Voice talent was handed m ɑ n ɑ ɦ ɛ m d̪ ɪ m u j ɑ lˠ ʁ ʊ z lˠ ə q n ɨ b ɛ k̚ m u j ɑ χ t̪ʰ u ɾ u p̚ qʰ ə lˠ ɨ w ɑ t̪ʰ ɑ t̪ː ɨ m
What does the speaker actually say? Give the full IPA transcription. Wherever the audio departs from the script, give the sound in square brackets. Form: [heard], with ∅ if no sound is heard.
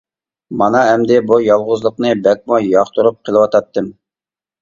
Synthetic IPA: m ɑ n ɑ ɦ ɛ m d̪ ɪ [b] u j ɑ lˠ ʁ ʊ z lˠ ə q n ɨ b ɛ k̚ m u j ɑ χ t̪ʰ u ɾ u p̚ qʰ ə lˠ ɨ w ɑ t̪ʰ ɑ t̪ː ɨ m

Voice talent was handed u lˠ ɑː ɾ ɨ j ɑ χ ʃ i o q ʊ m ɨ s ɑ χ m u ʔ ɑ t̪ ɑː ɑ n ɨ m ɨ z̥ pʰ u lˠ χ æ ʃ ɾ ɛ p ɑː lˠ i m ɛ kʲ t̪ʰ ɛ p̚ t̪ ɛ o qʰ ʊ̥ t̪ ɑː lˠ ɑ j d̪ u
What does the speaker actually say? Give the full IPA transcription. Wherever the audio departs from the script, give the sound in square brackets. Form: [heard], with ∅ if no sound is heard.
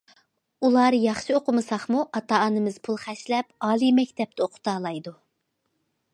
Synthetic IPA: u lˠ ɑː ɾ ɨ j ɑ χ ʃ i o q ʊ m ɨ s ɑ χ m u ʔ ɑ t̪ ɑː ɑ n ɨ m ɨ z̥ pʰ u lˠ χ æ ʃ [l] ɛ p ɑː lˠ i m ɛ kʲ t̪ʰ ɛ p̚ t̪ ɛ o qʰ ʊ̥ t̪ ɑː lˠ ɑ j d̪ u

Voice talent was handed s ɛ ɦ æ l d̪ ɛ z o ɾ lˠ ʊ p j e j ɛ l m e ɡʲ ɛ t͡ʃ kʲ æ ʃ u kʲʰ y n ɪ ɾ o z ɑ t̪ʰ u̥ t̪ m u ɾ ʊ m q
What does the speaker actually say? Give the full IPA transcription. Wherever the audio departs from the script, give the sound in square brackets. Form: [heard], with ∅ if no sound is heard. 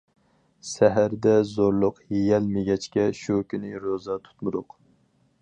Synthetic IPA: s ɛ ɦ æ [ɾ] d̪ ɛ z o ɾ lˠ ʊ [q] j e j ɛ l m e ɡʲ ɛ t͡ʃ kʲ [ɛ] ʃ u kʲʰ y n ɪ ɾ o z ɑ t̪ʰ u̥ t̪ m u ɾ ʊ [∅] q

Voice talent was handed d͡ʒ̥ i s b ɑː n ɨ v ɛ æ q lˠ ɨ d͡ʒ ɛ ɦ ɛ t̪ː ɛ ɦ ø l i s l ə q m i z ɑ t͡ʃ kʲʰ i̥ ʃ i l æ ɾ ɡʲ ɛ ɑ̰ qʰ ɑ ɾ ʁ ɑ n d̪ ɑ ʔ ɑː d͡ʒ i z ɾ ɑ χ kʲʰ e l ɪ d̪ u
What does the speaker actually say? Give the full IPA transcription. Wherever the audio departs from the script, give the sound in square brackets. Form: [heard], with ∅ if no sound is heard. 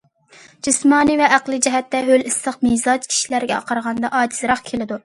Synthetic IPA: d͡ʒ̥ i s [m] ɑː n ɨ v ɛ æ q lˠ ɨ d͡ʒ ɛ ɦ ɛ t̪ː ɛ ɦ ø l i s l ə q m i z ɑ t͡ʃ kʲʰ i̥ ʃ i l æ ɾ ɡʲ ɛ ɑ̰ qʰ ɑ ɾ ʁ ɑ n d̪ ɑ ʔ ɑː d͡ʒ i z ɾ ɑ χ kʲʰ e l ɪ d̪ u

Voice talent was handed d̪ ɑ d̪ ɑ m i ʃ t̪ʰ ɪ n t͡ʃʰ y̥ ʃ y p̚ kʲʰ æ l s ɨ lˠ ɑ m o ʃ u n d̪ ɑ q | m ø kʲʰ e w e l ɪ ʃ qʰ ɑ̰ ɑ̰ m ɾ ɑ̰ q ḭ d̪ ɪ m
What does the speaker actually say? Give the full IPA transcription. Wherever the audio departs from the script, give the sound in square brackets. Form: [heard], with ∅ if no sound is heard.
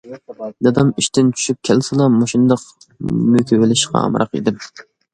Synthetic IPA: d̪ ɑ d̪ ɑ m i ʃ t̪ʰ ɪ n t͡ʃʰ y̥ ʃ y p̚ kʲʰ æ l s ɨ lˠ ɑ m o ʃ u n d̪ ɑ q | m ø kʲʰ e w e l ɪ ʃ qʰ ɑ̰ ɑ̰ m ɾ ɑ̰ q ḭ d̪ ɪ m

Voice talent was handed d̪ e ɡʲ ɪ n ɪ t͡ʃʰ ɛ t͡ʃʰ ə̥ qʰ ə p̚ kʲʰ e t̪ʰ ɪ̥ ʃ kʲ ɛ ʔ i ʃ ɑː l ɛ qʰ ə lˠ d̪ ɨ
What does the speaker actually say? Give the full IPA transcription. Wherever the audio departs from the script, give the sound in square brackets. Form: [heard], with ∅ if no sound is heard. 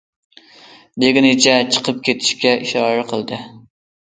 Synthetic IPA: d̪ e ɡʲ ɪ n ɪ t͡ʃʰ ɛ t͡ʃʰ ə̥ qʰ ə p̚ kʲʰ e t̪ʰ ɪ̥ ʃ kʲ ɛ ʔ i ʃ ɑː [ɾ] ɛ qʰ ə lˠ d̪ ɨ

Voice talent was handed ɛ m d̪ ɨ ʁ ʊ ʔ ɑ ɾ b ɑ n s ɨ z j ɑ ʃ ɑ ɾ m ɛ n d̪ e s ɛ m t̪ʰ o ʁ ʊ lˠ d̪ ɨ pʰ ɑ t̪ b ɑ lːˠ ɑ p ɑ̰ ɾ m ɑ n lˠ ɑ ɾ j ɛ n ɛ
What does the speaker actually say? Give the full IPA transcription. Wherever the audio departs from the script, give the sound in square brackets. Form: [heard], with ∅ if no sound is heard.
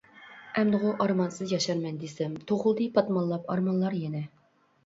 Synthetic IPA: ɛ m d̪ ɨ ʁ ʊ ʔ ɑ ɾ [m] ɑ n s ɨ z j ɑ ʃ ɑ ɾ m ɛ n d̪ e s ɛ m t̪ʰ o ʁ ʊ lˠ d̪ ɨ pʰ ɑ t̪ [m] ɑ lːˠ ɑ p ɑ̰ ɾ m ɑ n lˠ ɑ ɾ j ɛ n ɛ

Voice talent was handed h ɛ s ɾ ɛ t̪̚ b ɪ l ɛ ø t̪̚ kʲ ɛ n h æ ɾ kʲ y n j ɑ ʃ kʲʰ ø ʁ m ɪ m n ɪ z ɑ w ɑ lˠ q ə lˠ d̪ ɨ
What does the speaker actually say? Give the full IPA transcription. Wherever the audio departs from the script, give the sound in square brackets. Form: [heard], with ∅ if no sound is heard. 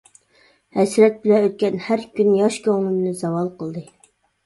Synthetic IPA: h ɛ s ɾ ɛ t̪̚ b ɪ l ɛ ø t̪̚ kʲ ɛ n h æ ɾ kʲ y n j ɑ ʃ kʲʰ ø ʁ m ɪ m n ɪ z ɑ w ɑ lˠ q ə lˠ d̪ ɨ

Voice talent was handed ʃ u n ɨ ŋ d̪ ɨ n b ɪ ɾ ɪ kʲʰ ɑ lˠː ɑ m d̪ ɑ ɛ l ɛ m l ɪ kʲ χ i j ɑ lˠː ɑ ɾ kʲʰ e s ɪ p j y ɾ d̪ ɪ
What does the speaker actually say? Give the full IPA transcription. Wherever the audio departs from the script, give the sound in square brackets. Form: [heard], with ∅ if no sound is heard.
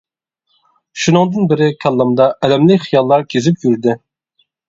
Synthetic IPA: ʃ u n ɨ ŋ d̪ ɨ n b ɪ ɾ ɪ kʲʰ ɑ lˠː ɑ m d̪ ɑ ɛ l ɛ m l ɪ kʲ χ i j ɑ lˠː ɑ ɾ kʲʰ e [z] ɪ p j y ɾ d̪ ɪ

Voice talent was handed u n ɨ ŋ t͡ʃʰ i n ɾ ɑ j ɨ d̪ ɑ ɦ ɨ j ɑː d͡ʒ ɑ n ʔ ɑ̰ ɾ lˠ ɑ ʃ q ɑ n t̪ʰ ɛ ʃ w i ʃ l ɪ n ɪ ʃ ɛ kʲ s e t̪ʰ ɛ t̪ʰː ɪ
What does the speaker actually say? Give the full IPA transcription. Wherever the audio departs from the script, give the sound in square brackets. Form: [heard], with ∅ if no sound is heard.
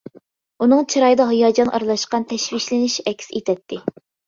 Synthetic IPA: u n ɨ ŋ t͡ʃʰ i [∅] ɾ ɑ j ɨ d̪ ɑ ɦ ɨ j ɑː d͡ʒ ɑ n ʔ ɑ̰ ɾ lˠ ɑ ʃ q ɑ n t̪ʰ ɛ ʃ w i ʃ l ɪ n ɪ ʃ ɛ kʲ s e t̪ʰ ɛ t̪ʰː ɪ

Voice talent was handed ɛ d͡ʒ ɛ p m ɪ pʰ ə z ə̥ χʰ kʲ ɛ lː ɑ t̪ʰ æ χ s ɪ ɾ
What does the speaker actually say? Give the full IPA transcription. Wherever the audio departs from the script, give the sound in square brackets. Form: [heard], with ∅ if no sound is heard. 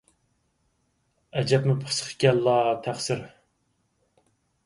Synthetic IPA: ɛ d͡ʒ ɛ p m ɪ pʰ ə [s] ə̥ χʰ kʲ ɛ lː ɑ t̪ʰ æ χ s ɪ ɾ

